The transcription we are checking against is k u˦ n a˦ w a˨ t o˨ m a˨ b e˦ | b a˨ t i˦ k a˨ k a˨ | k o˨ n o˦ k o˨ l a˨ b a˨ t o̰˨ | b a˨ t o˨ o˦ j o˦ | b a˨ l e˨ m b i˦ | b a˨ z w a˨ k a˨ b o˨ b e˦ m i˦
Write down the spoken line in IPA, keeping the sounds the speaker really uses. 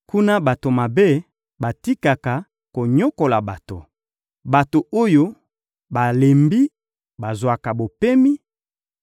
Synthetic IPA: k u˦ n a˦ b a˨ t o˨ m a˨ b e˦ | b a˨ t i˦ k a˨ k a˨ | k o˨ ɲ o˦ k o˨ l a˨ b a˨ t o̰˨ | b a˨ t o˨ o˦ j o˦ | b a˨ l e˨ m b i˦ | b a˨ z w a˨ k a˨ b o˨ p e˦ m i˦

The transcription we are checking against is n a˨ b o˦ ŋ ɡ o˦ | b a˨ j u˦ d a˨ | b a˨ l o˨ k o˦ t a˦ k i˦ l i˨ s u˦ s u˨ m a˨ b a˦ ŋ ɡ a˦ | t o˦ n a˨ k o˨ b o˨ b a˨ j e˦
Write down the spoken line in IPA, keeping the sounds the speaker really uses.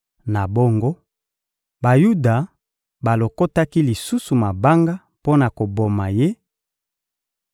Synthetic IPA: n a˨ b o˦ ŋ ɡ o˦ | b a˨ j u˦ d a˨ | b a˨ l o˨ k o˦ t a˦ k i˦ l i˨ s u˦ s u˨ m a˨ b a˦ ŋ ɡ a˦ | p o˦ n a˨ k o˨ b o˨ m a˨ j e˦

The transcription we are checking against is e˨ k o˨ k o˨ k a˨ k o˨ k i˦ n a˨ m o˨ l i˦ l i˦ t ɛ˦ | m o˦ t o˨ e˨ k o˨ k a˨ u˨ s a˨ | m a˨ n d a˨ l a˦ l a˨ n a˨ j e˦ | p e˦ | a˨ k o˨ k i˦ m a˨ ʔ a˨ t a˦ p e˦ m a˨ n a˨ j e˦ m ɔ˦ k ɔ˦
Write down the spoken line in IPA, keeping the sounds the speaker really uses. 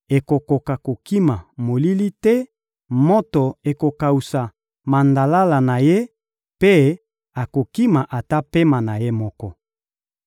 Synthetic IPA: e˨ k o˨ k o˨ k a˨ k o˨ k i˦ m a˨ m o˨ l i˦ l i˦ t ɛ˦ | m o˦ t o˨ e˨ k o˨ k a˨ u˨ s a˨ | m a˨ n d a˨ l a˦ l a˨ n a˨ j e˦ | p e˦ | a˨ k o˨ k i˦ m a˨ ʔ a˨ t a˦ p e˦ m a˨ n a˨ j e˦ m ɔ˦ k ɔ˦

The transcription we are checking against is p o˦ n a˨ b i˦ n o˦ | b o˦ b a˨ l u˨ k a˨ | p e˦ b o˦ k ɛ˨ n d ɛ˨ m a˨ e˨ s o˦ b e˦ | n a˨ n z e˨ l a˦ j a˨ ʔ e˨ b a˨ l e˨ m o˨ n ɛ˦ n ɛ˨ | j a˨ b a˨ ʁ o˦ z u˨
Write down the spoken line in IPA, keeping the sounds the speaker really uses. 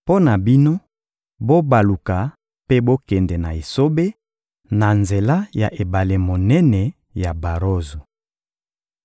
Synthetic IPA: p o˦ n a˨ b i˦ n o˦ | b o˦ b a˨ l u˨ k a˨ | p e˦ b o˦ k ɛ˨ n d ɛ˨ n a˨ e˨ s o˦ b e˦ | n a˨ n z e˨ l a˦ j a˨ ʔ e˨ b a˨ l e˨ m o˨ n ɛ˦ n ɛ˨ | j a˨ b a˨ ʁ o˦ z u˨

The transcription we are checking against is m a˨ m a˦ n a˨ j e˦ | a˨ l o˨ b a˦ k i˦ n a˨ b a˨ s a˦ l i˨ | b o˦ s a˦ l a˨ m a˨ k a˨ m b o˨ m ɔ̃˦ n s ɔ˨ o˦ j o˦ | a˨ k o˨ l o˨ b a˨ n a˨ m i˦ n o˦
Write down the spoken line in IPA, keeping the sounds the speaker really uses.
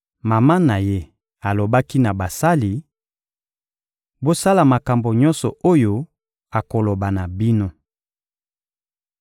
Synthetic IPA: m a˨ m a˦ n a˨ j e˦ | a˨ l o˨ b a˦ k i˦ n a˨ b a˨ s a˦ l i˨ | b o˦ s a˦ l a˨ m a˨ k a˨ m b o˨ ɲ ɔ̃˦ n s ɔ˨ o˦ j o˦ | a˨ k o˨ l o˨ b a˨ n a˨ b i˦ n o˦

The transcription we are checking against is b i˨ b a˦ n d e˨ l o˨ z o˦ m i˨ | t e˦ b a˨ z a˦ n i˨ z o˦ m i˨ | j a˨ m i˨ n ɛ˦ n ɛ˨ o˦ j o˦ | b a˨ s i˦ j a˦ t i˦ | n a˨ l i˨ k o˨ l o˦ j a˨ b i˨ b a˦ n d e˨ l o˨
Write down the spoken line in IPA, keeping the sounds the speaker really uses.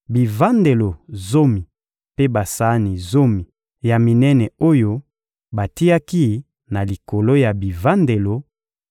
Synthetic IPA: b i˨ v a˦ n d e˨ l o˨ z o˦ m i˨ | p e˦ b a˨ s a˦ n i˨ z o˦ m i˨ | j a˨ m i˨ n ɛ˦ n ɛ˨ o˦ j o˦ | b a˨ t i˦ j a˦ k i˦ | n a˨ l i˨ k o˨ l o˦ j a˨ b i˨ v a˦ n d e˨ l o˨

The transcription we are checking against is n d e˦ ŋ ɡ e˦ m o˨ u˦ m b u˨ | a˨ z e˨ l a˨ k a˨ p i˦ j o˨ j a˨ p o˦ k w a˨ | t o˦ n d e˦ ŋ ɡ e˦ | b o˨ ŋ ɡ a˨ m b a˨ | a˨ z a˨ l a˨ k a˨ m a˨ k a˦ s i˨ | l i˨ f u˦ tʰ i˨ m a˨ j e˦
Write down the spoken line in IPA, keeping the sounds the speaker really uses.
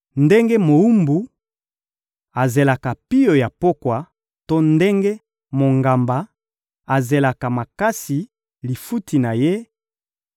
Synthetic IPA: n d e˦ ŋ ɡ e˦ m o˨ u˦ m b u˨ | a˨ z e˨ l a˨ k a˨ p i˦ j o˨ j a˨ p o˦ k w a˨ | t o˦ n d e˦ ŋ ɡ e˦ | m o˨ ŋ ɡ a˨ m b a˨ | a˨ z e˨ l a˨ k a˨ m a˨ k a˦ s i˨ | l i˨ f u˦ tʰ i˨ n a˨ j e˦

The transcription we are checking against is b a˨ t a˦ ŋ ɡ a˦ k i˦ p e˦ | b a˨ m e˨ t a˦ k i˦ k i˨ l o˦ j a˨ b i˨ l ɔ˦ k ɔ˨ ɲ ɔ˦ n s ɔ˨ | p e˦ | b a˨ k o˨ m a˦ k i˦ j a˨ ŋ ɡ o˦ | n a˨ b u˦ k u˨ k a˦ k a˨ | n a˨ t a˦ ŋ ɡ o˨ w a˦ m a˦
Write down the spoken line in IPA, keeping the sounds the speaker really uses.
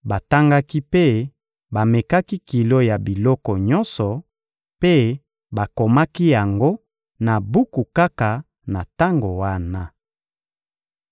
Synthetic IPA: b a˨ t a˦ ŋ ɡ a˦ k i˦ p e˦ | b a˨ m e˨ k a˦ k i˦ k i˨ l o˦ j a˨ b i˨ l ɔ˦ k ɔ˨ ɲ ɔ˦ n s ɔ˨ | p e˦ | b a˨ k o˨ m a˦ k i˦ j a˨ ŋ ɡ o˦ | n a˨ b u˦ k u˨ k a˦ k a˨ | n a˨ t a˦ ŋ ɡ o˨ w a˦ n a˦

